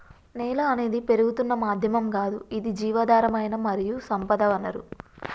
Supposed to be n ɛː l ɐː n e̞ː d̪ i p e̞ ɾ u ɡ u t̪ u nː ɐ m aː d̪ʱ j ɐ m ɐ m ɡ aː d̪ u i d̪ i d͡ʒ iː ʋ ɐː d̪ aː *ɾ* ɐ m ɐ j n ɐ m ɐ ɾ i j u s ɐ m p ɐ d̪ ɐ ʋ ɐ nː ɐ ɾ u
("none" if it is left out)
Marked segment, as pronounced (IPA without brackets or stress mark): ɾ